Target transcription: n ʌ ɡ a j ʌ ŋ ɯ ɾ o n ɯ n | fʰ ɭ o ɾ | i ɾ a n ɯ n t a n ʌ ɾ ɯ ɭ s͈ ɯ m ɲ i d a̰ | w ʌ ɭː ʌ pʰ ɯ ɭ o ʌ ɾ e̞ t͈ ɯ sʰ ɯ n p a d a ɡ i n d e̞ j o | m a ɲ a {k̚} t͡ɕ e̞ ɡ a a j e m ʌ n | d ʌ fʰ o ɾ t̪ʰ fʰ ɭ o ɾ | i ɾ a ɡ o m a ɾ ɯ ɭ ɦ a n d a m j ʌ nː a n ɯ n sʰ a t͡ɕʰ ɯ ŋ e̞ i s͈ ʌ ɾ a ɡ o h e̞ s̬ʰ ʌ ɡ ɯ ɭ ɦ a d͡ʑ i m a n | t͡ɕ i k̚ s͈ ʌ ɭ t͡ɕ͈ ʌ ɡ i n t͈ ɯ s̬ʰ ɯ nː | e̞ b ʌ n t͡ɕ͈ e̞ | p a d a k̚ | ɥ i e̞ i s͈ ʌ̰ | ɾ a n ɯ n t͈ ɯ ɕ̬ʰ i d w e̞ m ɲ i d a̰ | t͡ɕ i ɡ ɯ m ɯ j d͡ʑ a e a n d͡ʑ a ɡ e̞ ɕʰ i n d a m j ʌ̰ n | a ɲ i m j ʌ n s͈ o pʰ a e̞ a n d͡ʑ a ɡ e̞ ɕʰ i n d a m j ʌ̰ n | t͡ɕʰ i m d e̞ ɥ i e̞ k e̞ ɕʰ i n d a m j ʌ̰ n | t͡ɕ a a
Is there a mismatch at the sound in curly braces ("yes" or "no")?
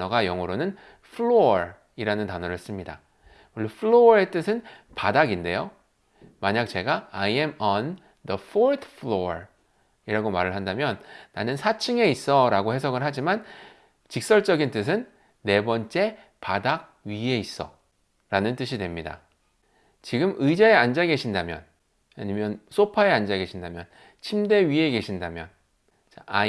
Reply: no